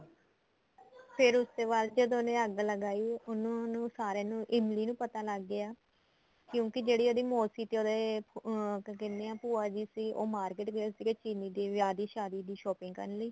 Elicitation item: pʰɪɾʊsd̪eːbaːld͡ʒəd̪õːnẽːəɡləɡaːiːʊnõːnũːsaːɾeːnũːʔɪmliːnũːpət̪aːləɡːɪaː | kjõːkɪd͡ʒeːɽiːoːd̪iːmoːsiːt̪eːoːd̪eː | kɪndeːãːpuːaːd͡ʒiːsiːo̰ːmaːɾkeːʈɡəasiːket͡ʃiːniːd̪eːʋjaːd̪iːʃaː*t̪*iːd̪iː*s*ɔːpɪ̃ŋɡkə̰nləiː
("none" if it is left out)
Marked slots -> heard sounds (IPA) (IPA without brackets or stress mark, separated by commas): d̪, ʃ